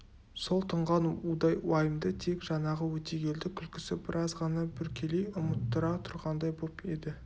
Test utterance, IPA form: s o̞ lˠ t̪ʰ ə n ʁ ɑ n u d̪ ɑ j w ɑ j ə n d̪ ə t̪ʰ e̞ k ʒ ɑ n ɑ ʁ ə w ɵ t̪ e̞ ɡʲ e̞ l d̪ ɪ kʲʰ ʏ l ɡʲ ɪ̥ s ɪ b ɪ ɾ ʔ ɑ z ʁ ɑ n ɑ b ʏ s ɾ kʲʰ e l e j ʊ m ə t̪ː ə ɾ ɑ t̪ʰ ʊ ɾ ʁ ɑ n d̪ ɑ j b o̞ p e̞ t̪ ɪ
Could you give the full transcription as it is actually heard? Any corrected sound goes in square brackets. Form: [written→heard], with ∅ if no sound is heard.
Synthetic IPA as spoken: s o̞ lˠ t̪ʰ ə [n→ɴ] ʁ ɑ n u d̪ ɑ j w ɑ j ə [n→m] d̪ ə t̪ʰ e̞ k ʒ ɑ n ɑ ʁ ə w ɵ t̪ e̞ ɡʲ e̞ l d̪ ɪ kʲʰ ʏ l [ɡʲ→kʲ] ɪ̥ s ɪ b ɪ ɾ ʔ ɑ z ʁ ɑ n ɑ b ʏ [s→∅] ɾ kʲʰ e l e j ʊ m ə t̪ː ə ɾ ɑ t̪ʰ ʊ ɾ ʁ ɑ n d̪ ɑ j b o̞ p e̞ [t̪→d̪] ɪ